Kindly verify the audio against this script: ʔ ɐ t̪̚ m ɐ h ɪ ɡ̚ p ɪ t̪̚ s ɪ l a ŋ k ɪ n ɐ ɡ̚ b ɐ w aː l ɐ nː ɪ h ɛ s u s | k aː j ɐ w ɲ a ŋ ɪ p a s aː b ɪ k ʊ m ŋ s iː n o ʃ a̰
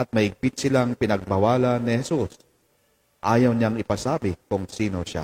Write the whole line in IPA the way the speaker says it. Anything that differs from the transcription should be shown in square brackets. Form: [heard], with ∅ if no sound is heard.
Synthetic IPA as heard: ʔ ɐ t̪̚ m ɐ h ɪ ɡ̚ p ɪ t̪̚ s ɪ l a ŋ [p] ɪ n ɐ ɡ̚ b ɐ w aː l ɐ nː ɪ h ɛ s u s | [ʔ] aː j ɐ w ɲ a ŋ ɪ p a s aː b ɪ k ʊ [∅] ŋ s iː n o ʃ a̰